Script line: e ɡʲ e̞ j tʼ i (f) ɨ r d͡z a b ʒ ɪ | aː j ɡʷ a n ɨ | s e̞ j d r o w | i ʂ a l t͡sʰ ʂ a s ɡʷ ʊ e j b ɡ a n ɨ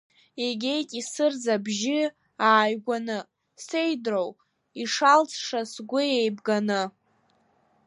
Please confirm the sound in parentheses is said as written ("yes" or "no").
no